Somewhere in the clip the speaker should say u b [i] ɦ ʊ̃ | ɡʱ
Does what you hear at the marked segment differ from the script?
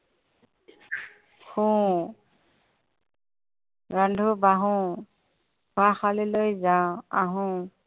yes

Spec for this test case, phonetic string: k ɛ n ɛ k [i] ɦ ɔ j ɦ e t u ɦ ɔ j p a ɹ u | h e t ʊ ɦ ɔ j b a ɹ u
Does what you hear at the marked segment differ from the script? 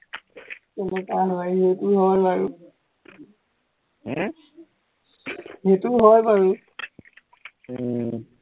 yes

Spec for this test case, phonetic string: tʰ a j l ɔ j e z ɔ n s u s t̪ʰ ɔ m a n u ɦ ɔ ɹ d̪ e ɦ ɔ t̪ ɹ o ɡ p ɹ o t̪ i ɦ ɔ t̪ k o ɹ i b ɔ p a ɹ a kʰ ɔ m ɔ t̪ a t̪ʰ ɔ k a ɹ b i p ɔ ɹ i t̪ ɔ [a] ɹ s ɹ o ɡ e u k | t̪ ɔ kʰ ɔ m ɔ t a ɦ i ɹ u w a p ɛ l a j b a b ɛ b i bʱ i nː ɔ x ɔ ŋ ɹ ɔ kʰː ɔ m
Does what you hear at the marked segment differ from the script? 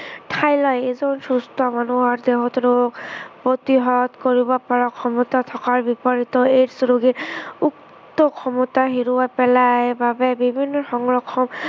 yes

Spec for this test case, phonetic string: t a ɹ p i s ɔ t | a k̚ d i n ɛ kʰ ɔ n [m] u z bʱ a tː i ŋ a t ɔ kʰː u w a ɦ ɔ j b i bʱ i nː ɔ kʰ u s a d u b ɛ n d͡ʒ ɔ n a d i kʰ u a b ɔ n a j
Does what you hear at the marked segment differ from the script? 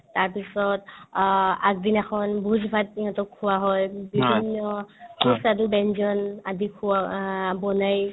yes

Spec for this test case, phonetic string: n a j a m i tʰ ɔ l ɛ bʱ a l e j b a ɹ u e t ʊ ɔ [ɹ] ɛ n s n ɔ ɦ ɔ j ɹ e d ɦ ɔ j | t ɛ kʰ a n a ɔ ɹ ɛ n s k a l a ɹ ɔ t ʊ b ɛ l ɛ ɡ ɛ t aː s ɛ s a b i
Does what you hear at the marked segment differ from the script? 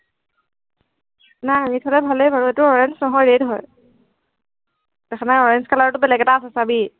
no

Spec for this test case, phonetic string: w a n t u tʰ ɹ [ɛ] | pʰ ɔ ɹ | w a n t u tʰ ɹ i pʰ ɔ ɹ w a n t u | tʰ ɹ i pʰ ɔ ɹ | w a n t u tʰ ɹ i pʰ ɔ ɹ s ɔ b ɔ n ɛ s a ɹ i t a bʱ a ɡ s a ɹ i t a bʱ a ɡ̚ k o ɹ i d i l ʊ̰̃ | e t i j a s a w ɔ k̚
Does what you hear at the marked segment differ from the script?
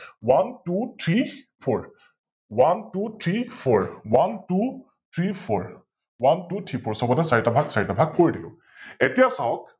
yes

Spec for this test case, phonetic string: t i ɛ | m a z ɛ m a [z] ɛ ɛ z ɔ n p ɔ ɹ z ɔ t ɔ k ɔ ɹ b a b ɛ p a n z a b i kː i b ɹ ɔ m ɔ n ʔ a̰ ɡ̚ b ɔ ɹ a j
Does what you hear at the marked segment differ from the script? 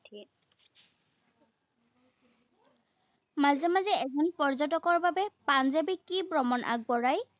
no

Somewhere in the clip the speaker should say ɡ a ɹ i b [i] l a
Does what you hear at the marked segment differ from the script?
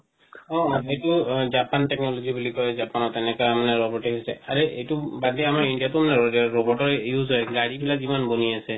no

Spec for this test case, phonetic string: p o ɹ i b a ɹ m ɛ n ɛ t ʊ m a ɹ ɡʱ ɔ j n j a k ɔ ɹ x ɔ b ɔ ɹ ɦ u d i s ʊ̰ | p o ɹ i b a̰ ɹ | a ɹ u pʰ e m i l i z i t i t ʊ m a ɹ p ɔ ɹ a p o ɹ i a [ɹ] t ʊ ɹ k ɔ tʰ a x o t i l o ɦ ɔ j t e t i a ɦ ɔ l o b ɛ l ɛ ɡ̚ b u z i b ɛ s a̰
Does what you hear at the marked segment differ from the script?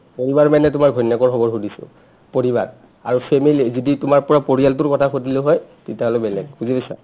yes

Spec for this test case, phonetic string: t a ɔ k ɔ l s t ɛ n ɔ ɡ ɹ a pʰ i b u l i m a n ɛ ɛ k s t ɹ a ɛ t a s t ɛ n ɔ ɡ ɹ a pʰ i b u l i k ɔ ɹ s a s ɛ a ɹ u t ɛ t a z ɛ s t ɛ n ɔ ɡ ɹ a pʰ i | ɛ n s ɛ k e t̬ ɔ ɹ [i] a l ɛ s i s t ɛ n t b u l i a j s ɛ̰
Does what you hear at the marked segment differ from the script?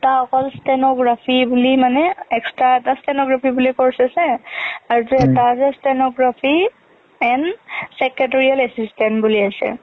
no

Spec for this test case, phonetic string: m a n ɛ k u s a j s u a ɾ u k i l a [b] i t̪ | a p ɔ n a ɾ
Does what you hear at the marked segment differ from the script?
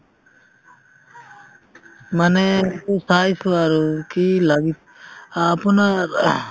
yes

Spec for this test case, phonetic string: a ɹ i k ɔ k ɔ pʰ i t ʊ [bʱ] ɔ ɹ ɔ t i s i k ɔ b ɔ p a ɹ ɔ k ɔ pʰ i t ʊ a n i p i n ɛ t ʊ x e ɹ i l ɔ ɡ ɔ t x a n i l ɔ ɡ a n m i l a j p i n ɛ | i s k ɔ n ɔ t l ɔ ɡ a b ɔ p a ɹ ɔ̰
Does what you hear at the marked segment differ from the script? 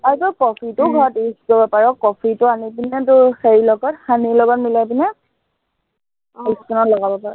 yes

